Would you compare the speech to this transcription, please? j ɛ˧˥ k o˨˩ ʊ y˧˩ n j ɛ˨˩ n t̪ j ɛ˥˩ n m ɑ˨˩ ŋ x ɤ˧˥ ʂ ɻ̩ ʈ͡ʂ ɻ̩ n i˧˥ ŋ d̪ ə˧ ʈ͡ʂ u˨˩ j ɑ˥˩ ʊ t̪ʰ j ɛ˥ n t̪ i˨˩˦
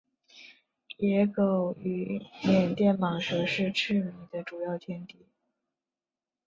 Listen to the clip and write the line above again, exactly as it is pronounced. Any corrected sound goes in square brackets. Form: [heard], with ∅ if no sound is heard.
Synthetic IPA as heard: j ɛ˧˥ k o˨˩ ʊ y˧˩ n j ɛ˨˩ n t̪ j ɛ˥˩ n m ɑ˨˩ ŋ [ʂ] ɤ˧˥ ʂ ɻ̩ [ʈ͡ʂʰ] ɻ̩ [m] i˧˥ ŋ d̪ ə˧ ʈ͡ʂ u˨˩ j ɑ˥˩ ʊ t̪ʰ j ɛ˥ n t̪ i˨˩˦